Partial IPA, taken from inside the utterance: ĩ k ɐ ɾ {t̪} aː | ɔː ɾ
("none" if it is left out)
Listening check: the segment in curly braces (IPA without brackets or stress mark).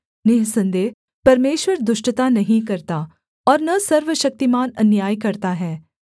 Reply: t̪